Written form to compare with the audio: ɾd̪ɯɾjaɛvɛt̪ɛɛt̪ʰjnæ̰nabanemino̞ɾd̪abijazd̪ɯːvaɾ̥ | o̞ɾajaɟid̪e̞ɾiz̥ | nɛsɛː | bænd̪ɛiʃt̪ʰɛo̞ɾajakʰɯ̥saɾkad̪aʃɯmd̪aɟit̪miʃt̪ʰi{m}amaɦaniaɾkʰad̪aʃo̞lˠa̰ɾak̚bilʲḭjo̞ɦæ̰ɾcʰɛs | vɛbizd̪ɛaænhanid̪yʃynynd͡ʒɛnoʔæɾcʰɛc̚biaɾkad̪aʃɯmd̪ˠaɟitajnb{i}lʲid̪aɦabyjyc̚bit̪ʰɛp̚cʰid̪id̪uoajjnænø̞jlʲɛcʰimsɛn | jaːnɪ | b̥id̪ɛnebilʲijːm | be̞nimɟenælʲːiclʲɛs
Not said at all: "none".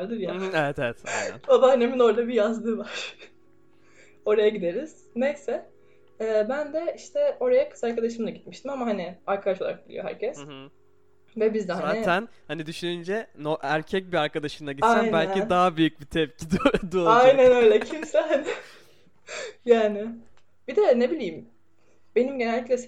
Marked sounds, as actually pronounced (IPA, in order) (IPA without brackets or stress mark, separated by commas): m, æ